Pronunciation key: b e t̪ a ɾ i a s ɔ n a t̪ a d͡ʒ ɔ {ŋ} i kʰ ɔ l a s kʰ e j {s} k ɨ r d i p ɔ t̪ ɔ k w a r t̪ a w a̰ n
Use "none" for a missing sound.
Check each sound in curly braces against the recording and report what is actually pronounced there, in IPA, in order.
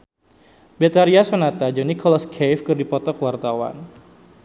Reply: n, f

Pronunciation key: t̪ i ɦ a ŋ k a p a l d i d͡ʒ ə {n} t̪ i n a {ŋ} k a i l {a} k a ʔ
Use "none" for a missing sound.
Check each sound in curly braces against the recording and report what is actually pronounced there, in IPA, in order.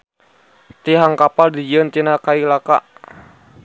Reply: n, none, a

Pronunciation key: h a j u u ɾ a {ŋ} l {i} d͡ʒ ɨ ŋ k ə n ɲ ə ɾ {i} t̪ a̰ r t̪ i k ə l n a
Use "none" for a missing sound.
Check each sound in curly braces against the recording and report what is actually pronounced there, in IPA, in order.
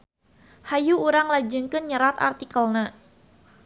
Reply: ŋ, a, a

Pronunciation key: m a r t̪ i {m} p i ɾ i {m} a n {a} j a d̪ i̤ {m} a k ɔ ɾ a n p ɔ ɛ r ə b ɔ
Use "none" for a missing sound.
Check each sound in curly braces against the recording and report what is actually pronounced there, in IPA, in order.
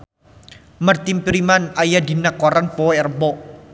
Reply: m, m, a, n

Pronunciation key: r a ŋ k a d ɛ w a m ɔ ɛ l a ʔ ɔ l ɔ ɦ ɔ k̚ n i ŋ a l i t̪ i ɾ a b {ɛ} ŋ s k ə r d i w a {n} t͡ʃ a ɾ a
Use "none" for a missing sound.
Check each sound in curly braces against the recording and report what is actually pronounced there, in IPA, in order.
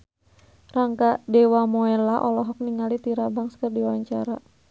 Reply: a, ɲ

